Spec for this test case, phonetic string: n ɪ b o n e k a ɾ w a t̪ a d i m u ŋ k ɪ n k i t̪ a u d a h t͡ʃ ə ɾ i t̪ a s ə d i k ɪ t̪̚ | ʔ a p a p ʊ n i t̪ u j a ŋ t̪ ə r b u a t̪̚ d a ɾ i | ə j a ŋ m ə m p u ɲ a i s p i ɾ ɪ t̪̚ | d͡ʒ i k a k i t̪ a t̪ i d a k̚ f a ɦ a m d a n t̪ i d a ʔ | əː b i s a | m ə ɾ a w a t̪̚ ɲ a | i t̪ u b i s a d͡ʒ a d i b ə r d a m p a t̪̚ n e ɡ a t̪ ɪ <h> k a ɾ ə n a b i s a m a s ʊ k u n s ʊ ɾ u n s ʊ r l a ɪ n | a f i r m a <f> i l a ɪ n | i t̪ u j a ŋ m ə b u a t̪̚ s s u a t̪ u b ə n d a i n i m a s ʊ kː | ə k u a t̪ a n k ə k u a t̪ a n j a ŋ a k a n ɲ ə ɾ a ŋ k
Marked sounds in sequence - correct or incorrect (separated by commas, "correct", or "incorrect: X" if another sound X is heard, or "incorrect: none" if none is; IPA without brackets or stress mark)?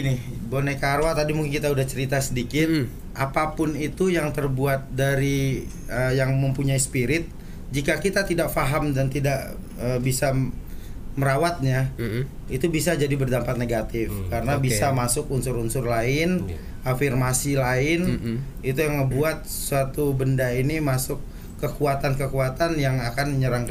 incorrect: f, incorrect: s